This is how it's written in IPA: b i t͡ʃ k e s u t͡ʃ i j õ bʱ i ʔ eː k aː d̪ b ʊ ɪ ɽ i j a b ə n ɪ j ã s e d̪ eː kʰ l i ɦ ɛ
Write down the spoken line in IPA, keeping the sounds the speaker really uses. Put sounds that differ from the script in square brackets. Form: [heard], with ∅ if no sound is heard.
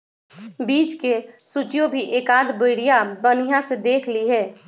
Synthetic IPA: b [iː] t͡ʃ k e s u t͡ʃ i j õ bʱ i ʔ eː k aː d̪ b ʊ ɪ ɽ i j a b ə n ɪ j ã s e d̪ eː kʰ l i ɦ [ɛː]